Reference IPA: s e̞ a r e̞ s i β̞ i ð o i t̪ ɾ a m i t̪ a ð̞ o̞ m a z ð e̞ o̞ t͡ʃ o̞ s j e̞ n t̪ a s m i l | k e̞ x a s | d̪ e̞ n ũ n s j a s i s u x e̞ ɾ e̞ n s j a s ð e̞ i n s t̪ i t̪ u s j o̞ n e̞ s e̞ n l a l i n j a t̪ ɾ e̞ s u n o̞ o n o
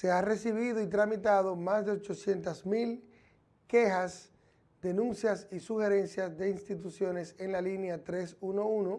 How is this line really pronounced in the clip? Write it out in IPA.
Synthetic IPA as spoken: s e̞ a r e̞ s i β̞ i ð o i t̪ ɾ a m i t̪ a ð̞ o̞ m a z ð e̞ o̞ t͡ʃ o̞ s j e̞ n t̪ a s m i l | k e̞ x a s | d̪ e̞ n ũ n s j a s i s u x e̞ ɾ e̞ n s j a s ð e̞ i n s t̪ i t̪ u s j o̞ n e̞ s e̞ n l a l i n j a t̪ ɾ e̞ s u n o̞ u n o

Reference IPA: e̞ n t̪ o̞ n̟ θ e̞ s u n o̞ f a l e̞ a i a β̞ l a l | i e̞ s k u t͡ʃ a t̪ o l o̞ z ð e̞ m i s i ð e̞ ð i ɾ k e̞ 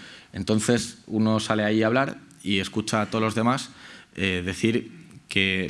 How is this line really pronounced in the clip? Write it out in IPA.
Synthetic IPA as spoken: e̞ n t̪ o̞ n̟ θ e̞ s u n o̞ s a l e̞ a i a β̞ l a ɾ | i e̞ s k u t͡ʃ a t̪ o l o̞ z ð e̞ m a s e ð e̞ θ i ɾ k e̞

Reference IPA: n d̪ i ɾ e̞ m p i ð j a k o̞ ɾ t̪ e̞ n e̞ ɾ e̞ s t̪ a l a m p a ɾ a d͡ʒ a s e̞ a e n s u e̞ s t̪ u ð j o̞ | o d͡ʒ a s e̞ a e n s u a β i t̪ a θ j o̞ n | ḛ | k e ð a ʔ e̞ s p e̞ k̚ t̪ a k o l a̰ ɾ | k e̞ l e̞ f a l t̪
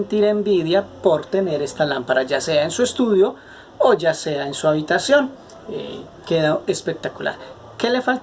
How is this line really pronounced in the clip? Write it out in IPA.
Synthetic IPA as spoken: n t̪ i ɾ e̞ m b i ð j a p o̞ ɾ t̪ e̞ n e̞ ɾ e̞ s t̪ a l a m p a ɾ a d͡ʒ a s e̞ a e n s u e̞ s t̪ u ð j o̞ | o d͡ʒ a s e̞ a e n s u a β i t̪ a s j o̞ n | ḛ | k e ð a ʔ e̞ s p e̞ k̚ t̪ a k u l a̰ ɾ | k e̞ l e̞ f a l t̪

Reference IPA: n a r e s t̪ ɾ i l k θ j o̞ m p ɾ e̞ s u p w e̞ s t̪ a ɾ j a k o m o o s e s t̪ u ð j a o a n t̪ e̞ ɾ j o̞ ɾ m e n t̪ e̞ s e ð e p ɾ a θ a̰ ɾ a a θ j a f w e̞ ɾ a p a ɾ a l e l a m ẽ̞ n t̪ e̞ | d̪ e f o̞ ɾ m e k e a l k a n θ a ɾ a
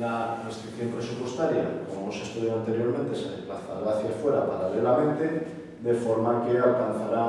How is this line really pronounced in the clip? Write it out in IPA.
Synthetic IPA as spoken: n a r e s t̪ ɾ i k θ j o̞ m p ɾ e̞ s u p w e̞ s t̪ a ɾ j a k o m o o s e s t̪ u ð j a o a n t̪ e̞ ɾ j o̞ ɾ m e n t̪ e̞ s e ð e p l a θ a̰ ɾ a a θ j a f w e̞ ɾ a p a ɾ a l e l a m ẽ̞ n t̪ e̞ | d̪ e f o̞ ɾ m a k e a l k a n θ a ɾ a

